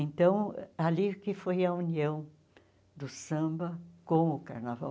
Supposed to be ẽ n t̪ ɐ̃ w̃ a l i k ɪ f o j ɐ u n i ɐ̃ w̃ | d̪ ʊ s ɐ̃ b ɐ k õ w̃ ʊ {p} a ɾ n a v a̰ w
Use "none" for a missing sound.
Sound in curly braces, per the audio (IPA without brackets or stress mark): k